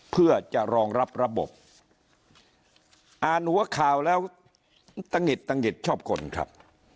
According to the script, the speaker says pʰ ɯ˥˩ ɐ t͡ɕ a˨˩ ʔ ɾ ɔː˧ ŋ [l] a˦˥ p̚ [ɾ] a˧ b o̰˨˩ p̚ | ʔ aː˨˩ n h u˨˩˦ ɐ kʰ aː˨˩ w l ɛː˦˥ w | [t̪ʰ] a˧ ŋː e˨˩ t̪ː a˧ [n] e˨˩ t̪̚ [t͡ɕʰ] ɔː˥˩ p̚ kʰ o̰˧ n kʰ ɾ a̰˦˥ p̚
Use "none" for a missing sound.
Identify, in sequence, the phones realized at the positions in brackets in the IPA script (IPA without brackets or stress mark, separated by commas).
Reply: ɾ, ɾ, t̪, ŋ, t͡ɕʰ